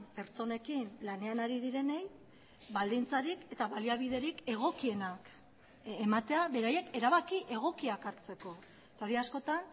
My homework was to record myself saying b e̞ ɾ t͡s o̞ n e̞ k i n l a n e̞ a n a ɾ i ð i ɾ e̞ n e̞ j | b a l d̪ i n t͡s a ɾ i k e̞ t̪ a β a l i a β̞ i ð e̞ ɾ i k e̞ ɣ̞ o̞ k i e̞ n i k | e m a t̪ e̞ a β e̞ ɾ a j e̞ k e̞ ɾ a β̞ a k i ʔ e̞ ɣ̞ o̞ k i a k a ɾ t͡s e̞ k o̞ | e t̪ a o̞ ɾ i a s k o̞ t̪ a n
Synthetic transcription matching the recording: p e̞ ɾ t͡s o̞ n e̞ k i n l a n e̞ a n a ɾ i ð i ɾ e̞ n e̞ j | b a l d̪ i n t͡s a ɾ i k e̞ t̪ a β a l i a β̞ i ð e̞ ɾ i k e̞ ɣ̞ o̞ k i e̞ n a k | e m a t̪ e̞ a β e̞ ɾ a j e̞ k e̞ ɾ a β̞ a k i ʔ e̞ ɣ̞ o̞ k i a k a ɾ t͡s e̞ k o̞ | e t̪ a o̞ ɾ i a s k o̞ t̪ a n